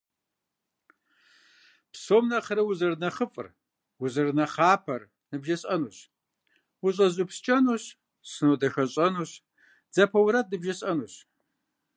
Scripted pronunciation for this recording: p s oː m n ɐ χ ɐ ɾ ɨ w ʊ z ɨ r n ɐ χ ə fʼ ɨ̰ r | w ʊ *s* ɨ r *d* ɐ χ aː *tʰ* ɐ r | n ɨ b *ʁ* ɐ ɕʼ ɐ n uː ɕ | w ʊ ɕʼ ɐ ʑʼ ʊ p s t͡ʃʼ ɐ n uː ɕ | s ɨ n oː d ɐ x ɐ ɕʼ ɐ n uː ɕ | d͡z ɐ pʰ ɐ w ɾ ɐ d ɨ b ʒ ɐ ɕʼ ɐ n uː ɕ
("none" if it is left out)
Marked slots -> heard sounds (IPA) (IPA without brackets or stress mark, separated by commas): z, n, pʰ, ʒ